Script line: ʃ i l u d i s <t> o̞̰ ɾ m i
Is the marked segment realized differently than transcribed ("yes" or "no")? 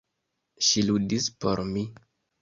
yes